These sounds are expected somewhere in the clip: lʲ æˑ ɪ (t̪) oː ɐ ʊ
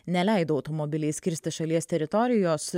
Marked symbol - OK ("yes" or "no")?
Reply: no